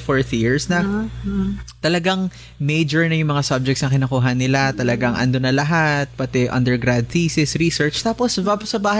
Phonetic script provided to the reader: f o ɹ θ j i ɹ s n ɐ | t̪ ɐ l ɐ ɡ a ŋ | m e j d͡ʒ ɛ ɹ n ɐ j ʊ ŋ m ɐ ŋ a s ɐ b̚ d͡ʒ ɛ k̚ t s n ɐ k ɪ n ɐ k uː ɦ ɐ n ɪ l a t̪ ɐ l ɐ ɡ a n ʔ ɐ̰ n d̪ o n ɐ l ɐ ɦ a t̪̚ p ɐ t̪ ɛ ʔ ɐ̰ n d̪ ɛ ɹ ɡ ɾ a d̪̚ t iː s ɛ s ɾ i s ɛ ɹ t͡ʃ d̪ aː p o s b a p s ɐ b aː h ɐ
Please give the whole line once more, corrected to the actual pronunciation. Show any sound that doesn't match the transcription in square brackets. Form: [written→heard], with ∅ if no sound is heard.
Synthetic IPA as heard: f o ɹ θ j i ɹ s n ɐ | t̪ ɐ l ɐ ɡ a ŋ | m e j d͡ʒ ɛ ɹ n ɐ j ʊ ŋ m ɐ ŋ a s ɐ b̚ d͡ʒ ɛ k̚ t s n ɐ k ɪ n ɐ k uː ɦ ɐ n ɪ l a t̪ ɐ l ɐ ɡ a [n→ŋ] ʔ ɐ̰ n d̪ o n ɐ l ɐ ɦ a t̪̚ p ɐ t̪ ɛ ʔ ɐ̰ n d̪ ɛ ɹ ɡ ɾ a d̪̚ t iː s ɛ s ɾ i s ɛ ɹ t͡ʃ [d̪→t̪] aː p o s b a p s ɐ b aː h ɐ